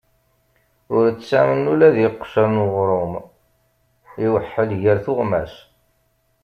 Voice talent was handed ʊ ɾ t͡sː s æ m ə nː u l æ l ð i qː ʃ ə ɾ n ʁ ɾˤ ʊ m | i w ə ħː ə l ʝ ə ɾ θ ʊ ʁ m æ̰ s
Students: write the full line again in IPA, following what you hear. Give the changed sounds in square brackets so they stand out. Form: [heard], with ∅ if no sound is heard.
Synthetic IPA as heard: ʊ ɾ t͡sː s æ m ə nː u l æ [∅] ð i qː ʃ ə ɾ n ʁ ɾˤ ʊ m | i w ə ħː ə l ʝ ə ɾ θ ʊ ʁ m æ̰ s